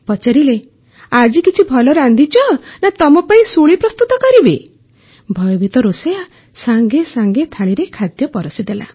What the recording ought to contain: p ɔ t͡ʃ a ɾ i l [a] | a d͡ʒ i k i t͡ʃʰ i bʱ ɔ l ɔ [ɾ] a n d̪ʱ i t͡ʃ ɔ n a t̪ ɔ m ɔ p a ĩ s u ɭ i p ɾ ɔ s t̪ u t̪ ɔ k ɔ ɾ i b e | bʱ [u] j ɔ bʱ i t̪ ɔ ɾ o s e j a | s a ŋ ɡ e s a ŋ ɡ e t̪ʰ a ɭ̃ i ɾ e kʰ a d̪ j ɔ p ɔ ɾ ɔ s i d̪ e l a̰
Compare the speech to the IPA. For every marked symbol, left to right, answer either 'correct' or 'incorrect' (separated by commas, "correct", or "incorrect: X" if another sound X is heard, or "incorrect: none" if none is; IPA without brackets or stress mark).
incorrect: e, correct, incorrect: ɔ